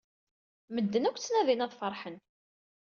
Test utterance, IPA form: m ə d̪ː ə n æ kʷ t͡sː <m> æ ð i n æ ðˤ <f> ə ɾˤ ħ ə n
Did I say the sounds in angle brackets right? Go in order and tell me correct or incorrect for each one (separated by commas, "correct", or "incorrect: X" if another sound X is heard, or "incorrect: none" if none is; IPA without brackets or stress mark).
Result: incorrect: n, correct